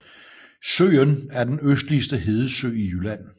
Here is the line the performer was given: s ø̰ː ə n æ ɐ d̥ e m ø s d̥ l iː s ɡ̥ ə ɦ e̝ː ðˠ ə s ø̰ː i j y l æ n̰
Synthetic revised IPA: s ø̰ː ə n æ ɐ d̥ e n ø s d̥ l i s d̥ ə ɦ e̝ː ðˠ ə s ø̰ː i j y l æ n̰